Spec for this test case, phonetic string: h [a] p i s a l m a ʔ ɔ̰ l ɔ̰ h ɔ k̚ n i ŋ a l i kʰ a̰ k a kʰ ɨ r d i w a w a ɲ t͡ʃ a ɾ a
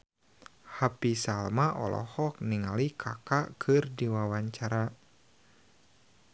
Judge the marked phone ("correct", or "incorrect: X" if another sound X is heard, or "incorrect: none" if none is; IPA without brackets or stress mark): correct